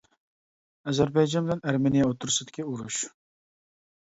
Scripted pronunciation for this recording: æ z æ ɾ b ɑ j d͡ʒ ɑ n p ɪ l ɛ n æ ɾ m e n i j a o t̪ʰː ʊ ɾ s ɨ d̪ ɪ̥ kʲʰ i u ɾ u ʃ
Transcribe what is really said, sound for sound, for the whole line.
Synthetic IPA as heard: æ z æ ɾ b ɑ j d͡ʒ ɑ n b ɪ l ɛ n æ ɾ m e n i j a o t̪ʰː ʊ ɾ s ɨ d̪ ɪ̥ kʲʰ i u ɾ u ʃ